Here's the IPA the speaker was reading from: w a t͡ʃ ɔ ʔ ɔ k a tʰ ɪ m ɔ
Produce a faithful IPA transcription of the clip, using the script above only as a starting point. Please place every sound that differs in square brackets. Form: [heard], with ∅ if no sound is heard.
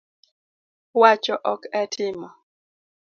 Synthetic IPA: w a t͡ʃ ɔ ʔ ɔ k [ɛ] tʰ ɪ m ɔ